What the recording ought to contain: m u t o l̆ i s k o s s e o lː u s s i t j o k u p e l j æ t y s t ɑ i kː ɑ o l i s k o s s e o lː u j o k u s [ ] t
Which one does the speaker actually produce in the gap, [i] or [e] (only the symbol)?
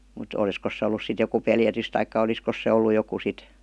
i